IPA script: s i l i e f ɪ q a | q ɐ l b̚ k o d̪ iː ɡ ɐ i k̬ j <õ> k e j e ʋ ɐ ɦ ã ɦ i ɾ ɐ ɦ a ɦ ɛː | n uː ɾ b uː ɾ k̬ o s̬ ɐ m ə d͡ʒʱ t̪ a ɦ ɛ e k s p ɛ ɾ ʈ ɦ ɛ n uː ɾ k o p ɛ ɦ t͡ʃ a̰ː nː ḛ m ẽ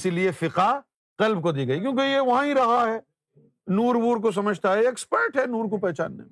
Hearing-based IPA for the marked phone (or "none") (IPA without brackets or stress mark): õː